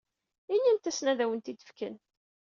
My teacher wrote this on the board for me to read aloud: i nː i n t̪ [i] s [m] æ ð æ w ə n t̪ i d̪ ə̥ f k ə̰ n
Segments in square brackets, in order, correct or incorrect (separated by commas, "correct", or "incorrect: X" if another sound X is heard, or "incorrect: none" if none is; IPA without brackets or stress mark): incorrect: æ, incorrect: n